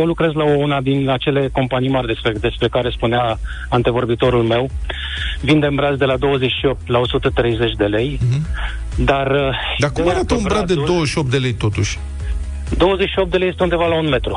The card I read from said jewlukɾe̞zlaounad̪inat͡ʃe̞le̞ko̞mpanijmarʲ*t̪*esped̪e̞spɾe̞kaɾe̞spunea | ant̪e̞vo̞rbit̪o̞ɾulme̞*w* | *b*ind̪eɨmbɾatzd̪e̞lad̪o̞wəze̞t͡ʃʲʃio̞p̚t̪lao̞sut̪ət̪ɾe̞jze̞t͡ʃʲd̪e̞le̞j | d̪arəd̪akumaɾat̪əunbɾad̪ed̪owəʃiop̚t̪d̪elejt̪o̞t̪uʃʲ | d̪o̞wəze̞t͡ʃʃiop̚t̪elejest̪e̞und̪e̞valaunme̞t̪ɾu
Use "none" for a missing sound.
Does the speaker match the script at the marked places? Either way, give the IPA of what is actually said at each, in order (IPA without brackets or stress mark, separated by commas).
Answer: d̪, w, v